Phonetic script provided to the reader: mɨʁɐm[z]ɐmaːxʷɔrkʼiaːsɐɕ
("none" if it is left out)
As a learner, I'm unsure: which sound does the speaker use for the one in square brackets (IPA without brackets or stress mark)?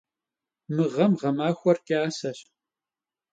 ʁ